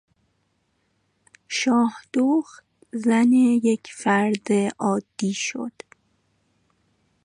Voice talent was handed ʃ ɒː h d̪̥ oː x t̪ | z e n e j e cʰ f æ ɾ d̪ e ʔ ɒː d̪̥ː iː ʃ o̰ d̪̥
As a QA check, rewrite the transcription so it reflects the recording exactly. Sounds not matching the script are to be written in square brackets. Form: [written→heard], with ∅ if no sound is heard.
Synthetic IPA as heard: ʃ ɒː h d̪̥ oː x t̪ | z [e→æ] n e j e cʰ f æ ɾ d̪ e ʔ ɒː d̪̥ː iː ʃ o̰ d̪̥